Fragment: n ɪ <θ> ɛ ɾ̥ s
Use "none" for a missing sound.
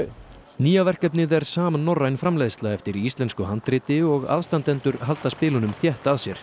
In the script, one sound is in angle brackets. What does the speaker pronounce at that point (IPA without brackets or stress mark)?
ð